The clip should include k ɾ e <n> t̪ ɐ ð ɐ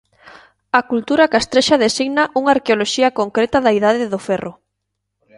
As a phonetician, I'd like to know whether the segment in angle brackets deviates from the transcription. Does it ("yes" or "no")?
yes